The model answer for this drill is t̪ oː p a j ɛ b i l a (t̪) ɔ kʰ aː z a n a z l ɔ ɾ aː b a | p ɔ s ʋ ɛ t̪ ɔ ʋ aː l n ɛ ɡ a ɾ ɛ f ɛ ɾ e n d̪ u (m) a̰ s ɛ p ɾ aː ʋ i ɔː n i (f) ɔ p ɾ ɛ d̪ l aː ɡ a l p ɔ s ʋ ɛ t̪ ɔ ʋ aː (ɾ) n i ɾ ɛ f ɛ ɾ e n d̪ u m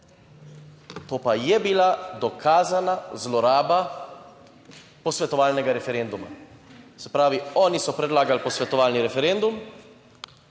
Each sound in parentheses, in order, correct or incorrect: incorrect: d̪, correct, incorrect: s, incorrect: l

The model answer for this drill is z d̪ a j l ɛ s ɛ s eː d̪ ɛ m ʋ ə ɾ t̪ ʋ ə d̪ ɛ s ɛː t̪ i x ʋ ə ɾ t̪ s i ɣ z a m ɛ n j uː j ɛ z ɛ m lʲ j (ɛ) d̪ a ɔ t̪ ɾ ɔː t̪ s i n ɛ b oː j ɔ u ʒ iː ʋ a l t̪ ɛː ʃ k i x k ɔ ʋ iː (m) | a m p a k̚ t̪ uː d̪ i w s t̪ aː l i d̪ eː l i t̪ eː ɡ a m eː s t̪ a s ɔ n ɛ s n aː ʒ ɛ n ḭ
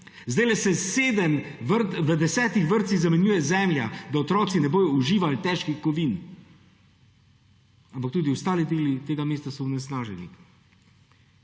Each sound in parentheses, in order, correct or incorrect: incorrect: a, incorrect: n

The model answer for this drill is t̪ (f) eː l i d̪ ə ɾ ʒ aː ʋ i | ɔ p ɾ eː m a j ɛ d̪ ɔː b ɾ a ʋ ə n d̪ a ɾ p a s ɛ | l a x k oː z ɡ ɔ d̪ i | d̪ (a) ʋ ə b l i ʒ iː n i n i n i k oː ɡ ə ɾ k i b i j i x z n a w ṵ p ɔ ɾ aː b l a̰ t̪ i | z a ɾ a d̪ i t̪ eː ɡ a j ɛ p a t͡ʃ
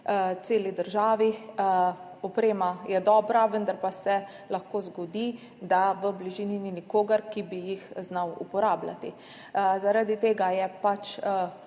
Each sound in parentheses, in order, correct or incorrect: incorrect: s, correct

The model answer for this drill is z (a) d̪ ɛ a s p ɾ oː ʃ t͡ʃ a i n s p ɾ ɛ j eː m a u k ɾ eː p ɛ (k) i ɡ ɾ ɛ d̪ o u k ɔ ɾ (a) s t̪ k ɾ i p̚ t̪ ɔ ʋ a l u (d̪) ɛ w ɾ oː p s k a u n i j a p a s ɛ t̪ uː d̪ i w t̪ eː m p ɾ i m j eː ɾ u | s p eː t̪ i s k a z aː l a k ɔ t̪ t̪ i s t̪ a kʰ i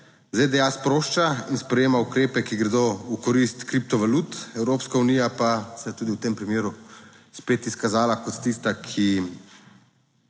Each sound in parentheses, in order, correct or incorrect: incorrect: e, correct, incorrect: i, incorrect: t̪

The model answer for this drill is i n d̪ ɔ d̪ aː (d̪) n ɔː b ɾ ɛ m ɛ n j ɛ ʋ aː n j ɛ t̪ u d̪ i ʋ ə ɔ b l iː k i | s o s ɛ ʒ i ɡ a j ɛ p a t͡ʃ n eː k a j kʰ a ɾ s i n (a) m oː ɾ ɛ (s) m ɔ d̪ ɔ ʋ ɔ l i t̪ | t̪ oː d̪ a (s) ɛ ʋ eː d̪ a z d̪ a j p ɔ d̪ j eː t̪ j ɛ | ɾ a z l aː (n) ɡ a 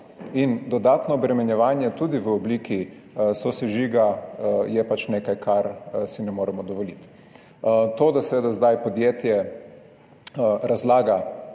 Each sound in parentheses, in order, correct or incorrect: incorrect: t̪, incorrect: ɛ, incorrect: none, correct, incorrect: none

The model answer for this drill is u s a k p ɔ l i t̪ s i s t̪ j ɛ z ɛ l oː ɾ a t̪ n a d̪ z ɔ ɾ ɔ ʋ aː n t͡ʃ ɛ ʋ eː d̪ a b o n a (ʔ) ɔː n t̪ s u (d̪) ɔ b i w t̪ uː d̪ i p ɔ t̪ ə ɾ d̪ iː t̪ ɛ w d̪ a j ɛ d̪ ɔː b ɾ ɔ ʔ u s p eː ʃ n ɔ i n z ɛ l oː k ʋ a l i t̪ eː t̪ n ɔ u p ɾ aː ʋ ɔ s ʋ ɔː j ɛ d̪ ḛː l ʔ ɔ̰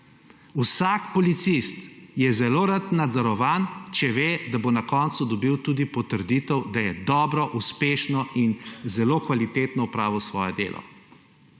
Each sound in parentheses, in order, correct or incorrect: incorrect: k, correct

